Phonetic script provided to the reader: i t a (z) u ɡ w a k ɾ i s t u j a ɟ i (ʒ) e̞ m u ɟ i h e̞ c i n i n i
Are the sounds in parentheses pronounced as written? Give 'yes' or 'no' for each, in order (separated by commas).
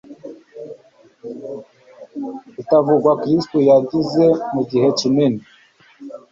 no, no